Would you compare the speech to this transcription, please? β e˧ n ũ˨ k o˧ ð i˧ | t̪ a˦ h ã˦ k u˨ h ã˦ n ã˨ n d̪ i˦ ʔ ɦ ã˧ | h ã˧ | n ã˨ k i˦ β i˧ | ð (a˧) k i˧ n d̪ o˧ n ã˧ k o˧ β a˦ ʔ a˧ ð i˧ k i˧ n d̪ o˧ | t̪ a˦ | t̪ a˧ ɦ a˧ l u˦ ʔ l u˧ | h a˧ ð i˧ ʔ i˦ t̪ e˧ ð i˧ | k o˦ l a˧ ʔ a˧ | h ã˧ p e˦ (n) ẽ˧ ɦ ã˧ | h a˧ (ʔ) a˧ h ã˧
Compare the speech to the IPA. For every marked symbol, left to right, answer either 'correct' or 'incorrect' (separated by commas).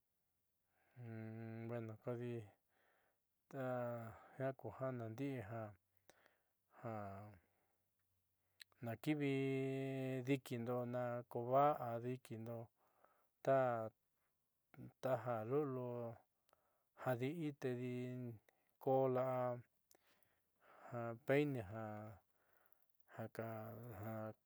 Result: incorrect, correct, incorrect